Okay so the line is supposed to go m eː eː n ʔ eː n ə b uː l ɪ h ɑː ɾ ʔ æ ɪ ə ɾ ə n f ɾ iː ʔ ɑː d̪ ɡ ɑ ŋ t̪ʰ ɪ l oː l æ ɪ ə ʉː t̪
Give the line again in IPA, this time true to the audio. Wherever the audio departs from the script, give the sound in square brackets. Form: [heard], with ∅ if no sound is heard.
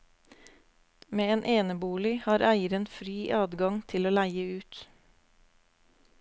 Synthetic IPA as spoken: m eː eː n ʔ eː n ə b uː l ɪ h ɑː ɾ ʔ æ ɪ ə ɾ ə n f ɾ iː ʔ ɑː d̪ ɡ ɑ ŋ t̪ʰ ɪ l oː l æ ɪ ə ʉː t̪